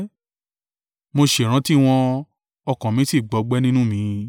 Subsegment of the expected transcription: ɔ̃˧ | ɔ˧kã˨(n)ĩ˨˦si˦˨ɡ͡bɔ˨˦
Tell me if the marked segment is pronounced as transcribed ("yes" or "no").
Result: no